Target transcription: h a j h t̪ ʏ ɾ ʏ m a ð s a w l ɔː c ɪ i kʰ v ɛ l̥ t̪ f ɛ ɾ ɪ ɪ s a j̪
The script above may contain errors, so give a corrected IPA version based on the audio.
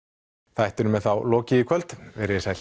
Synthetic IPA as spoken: θ a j h t̪ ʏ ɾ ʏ m ɛ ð θ a w l ɔː c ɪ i kʰ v œ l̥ t̪ v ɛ ɾ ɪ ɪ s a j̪